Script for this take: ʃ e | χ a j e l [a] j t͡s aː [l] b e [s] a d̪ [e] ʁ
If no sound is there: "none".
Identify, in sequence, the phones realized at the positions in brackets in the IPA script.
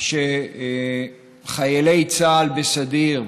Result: e, l, s, i

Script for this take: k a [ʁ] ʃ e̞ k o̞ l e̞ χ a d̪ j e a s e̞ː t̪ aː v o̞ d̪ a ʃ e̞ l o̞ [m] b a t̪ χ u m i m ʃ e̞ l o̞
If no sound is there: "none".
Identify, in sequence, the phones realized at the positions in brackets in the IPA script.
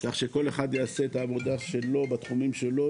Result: χ, none

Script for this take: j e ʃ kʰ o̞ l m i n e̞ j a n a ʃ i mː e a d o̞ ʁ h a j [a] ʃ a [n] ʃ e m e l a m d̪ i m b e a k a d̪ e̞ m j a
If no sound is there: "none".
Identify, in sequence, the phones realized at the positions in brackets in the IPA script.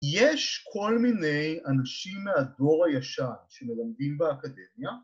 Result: a, n

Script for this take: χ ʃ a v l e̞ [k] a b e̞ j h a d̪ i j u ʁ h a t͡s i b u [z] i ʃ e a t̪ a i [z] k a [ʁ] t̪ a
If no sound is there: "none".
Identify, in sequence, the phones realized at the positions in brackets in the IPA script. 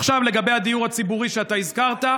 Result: ɡ, ʁ, z, ʁ

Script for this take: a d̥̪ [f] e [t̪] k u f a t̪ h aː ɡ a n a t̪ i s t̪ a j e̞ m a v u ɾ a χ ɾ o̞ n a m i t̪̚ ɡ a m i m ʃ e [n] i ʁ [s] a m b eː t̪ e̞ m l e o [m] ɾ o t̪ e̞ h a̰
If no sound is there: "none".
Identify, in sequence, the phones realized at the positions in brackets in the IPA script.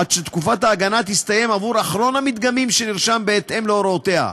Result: ʃ, t̪, n, ʃ, none

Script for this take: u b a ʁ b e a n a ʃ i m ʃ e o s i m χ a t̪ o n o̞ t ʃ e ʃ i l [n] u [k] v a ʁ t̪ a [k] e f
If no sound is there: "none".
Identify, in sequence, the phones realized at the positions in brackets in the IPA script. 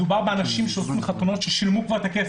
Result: m, k, k

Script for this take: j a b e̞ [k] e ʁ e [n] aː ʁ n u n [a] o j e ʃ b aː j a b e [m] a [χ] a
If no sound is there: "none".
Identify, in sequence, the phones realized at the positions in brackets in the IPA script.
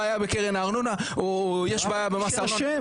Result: k, n, a, m, s

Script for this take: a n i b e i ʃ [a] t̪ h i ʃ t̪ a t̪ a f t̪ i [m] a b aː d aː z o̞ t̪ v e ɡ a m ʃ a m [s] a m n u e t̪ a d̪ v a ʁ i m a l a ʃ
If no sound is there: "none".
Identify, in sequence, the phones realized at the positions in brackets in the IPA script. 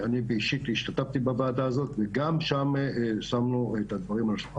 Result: i, b, s

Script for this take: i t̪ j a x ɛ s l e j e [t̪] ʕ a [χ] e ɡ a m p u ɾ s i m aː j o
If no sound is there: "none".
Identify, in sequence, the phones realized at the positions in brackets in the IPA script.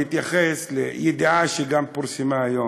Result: d̪, ʃ

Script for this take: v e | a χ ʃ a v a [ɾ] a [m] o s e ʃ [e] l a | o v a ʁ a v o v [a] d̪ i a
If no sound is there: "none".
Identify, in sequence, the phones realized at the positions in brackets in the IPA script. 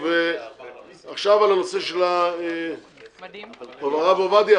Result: l, n, e, a

